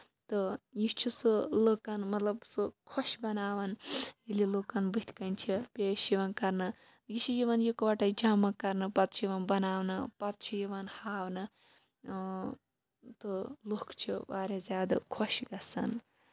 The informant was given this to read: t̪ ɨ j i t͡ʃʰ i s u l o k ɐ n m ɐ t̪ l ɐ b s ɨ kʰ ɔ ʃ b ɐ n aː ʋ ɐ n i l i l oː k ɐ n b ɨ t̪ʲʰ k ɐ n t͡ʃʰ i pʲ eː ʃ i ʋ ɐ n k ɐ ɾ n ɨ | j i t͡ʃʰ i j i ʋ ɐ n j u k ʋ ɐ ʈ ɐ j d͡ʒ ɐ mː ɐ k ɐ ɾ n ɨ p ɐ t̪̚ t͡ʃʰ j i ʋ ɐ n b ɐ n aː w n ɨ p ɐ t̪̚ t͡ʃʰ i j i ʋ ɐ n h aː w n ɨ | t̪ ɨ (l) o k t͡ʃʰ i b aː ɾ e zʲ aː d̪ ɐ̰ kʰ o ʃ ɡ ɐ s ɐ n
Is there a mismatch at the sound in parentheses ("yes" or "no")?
no